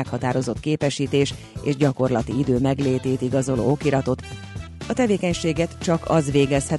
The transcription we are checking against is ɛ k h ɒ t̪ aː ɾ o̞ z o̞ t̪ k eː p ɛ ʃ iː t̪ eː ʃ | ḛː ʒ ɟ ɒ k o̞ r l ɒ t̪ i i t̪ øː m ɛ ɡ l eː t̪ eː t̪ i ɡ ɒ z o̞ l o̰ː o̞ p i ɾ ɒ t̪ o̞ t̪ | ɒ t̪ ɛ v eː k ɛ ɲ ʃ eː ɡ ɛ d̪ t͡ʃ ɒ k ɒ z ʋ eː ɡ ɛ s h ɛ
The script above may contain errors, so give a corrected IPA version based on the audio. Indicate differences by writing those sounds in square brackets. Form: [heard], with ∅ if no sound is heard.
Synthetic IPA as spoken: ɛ k h ɒ t̪ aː ɾ o̞ z o̞ t̪ k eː p ɛ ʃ iː t̪ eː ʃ | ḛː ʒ ɟ ɒ k o̞ r l ɒ t̪ i i [d̪] øː m ɛ ɡ l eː t̪ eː t̪ i ɡ ɒ z o̞ l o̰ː o̞ [k] i ɾ ɒ t̪ o̞ t̪ | ɒ t̪ ɛ v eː k ɛ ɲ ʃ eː ɡ ɛ [t̪] t͡ʃ ɒ k ɒ z ʋ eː ɡ ɛ s h ɛ